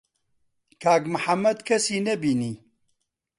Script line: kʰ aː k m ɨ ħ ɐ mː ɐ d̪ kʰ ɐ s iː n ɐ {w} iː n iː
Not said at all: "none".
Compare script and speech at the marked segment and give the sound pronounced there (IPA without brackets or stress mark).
b